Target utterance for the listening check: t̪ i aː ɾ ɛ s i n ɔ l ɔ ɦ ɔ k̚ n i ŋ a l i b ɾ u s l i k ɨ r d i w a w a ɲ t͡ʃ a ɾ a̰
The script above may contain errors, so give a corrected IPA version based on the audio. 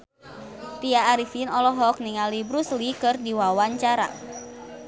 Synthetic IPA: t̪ i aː ɾ i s i n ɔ l ɔ ɦ ɔ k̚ n i ŋ a l i b ɾ u s l i k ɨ r d i w a w a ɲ t͡ʃ a ɾ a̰